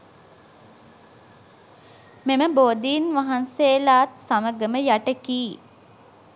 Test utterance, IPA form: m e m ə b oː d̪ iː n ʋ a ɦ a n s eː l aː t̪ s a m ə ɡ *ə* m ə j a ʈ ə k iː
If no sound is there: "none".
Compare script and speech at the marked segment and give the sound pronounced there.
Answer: ə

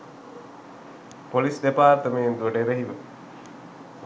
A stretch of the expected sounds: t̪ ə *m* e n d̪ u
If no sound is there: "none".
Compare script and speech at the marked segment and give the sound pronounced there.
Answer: m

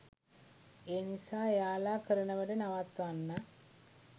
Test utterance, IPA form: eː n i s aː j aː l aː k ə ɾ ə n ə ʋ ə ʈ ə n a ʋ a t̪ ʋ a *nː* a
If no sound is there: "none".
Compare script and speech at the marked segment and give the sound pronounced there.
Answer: nː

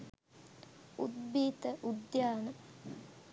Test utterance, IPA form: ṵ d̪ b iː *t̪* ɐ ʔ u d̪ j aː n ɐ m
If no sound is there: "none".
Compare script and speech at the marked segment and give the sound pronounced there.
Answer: t̪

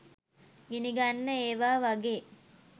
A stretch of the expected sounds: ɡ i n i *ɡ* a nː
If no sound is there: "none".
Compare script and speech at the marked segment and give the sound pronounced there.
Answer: ɡ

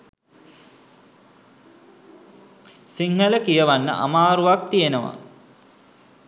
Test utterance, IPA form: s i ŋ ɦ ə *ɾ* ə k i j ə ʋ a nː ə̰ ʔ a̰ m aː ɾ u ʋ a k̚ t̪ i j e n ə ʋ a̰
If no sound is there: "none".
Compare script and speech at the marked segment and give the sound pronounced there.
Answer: l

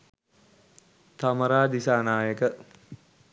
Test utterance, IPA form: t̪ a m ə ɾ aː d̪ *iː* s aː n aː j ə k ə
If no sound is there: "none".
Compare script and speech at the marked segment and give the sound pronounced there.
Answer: i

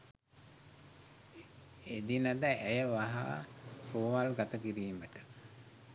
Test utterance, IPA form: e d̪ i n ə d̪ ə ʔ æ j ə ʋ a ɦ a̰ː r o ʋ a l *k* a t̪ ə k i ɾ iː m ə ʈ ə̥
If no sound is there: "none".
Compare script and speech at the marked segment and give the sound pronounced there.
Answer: ɡ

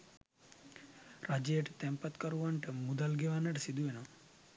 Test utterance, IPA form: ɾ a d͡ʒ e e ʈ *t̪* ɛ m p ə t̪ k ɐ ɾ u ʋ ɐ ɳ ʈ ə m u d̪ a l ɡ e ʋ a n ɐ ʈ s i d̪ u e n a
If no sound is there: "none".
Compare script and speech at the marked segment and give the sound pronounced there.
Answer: t̪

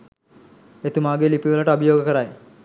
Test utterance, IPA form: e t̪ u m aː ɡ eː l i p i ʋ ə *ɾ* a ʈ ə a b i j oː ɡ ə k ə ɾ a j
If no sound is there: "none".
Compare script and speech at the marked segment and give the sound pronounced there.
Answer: l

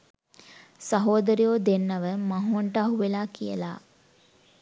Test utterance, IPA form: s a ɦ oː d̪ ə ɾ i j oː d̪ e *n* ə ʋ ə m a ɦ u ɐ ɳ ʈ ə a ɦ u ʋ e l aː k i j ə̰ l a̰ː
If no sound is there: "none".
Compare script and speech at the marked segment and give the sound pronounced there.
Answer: nː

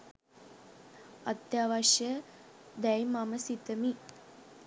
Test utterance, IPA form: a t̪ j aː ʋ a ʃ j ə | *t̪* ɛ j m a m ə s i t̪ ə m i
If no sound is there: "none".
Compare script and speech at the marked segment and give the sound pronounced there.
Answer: d̪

